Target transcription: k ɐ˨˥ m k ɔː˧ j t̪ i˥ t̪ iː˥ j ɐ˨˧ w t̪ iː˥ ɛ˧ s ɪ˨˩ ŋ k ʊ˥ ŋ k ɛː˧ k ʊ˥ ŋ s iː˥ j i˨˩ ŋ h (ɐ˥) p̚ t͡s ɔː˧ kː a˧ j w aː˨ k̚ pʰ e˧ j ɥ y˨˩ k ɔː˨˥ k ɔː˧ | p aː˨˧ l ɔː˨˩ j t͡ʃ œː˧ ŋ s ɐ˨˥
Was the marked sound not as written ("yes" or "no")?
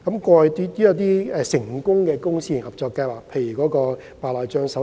yes